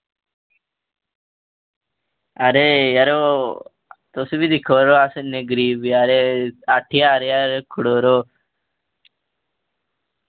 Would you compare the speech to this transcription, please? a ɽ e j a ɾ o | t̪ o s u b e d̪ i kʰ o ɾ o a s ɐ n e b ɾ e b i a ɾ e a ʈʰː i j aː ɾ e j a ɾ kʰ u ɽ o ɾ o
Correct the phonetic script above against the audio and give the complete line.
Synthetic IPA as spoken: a ɾ e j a ɾ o | t̪ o s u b i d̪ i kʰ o ɾ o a s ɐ n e ɡ ɾ i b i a ɾ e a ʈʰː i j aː ɾ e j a ɾ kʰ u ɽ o ɾ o